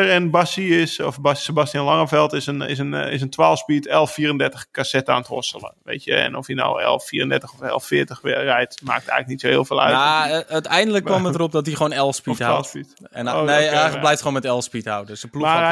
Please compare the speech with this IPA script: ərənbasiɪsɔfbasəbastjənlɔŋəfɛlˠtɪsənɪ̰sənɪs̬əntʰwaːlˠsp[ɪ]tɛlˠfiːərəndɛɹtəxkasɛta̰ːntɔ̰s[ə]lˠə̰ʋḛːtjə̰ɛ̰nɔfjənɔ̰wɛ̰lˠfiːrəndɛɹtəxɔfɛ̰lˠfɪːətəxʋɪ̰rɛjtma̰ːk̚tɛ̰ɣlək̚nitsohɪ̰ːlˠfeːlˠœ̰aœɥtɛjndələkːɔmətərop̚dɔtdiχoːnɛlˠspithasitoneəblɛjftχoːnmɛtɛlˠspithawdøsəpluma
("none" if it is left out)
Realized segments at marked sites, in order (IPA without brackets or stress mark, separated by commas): i, ə